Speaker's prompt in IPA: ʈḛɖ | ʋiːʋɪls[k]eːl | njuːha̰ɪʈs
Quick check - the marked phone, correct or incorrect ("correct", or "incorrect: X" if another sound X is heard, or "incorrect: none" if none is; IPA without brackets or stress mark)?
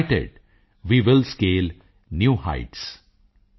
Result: correct